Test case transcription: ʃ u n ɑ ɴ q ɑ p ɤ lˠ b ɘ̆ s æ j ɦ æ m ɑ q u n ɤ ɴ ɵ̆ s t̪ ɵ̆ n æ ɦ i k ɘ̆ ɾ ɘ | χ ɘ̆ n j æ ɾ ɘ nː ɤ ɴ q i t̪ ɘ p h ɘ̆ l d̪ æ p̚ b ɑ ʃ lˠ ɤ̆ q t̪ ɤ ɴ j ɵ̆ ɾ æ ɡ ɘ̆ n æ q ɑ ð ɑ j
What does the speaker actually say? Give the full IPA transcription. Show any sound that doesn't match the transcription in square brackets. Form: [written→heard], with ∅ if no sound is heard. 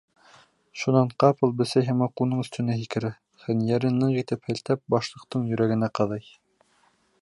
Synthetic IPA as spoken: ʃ u n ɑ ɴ q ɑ p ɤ lˠ b ɘ̆ s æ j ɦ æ m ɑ q u n ɤ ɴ ɵ̆ s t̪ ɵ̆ n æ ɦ i k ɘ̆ ɾ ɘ | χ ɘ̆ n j æ ɾ ɘ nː ɤ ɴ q i t̪ ɘ p h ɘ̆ l [d̪→t̪] æ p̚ b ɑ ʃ lˠ ɤ̆ q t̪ ɤ ɴ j ɵ̆ ɾ æ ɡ ɘ̆ n æ q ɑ ð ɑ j

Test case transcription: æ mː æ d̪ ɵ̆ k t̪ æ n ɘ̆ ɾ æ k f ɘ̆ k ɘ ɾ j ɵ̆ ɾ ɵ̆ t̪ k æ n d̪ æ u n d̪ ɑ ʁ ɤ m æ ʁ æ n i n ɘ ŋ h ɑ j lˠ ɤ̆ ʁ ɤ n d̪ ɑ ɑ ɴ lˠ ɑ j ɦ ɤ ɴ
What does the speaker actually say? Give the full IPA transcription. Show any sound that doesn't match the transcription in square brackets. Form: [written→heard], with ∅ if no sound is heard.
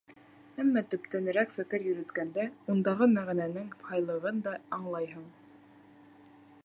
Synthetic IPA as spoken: æ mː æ [d̪→t̪] ɵ̆ [k→p] t̪ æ n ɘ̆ ɾ æ k f ɘ̆ k ɘ ɾ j ɵ̆ ɾ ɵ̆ t̪ k æ n d̪ æ u n d̪ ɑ ʁ ɤ m æ ʁ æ n [i→æ] n ɘ ŋ h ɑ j lˠ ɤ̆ ʁ ɤ n d̪ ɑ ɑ ɴ lˠ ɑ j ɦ ɤ ɴ

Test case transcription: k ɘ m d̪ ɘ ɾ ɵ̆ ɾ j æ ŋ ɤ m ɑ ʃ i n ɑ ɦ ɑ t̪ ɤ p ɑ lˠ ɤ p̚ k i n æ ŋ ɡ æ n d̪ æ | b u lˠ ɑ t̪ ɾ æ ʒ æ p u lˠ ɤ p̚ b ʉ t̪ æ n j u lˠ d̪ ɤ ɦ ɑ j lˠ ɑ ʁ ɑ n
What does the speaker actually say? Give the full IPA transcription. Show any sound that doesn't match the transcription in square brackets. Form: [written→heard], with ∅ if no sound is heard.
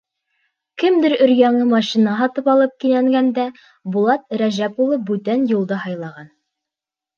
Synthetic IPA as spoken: k ɘ m d̪ ɘ ɾ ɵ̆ ɾ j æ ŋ ɤ m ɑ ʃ i n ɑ ɦ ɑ t̪ ɤ p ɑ lˠ ɤ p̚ k i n æ ŋ ɡ æ n d̪ æ | b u lˠ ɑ t̪ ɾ æ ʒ æ p u lˠ ɤ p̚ b ʉ t̪ æ n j u lˠ d̪ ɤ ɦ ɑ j lˠ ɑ ʁ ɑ n

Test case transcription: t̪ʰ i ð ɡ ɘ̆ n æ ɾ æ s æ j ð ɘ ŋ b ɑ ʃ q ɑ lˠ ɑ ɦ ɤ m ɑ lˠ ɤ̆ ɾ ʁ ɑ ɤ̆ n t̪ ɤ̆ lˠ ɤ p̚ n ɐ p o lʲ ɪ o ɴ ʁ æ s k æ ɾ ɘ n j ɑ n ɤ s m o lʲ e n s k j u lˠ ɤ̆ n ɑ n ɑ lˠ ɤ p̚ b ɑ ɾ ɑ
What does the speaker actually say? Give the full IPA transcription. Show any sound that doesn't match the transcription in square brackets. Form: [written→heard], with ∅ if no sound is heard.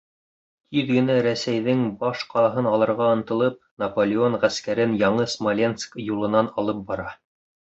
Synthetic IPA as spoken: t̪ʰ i ð ɡ ɘ̆ n æ ɾ æ s æ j ð ɘ ŋ b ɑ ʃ q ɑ lˠ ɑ ɦ ɤ [m→n] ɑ lˠ ɤ̆ ɾ ʁ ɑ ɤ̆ n t̪ ɤ̆ lˠ ɤ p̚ n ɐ p o lʲ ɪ o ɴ ʁ æ s k æ ɾ ɘ n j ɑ [n→ɴ] ɤ s m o lʲ e n s k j u lˠ ɤ̆ n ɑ n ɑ lˠ ɤ p̚ b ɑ ɾ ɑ

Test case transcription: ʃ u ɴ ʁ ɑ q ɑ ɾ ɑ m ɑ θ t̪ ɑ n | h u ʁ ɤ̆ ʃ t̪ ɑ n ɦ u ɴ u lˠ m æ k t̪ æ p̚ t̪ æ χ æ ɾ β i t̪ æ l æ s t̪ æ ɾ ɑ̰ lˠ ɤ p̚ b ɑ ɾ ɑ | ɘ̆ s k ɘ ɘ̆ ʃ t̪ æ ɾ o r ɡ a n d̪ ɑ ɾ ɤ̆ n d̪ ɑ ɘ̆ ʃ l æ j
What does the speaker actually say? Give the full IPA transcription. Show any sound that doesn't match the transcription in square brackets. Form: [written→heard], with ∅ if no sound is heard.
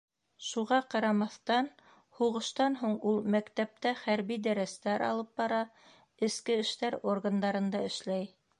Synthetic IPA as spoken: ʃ u [ɴ→∅] ʁ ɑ q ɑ ɾ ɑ m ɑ θ t̪ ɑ n | h u ʁ ɤ̆ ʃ t̪ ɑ n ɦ u ɴ u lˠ m æ k t̪ æ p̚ t̪ æ χ æ ɾ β i [t̪→d̪] æ [l→ɾ] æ s t̪ æ ɾ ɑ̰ lˠ ɤ p̚ b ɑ ɾ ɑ | ɘ̆ s k ɘ ɘ̆ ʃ t̪ æ ɾ o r ɡ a n d̪ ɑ ɾ ɤ̆ n d̪ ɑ ɘ̆ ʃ l æ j

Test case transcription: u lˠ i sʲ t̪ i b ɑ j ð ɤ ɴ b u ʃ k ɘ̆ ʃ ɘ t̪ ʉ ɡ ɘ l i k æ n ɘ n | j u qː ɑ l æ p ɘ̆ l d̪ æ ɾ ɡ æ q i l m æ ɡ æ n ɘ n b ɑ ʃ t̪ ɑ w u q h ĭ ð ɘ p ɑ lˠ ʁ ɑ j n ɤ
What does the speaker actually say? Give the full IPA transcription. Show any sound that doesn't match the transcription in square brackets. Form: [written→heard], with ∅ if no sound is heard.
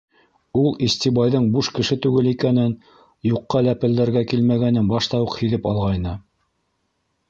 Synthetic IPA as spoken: u lˠ i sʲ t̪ i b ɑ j ð ɤ ɴ b u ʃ k ɘ̆ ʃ ɘ t̪ ʉ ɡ ɘ l i k æ n ɘ n | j u qː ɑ l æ p ɘ̆ l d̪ æ ɾ ɡ æ [q→k] i l m æ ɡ æ n ɘ n b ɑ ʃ t̪ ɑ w u q h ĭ ð ɘ p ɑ lˠ ʁ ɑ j n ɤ

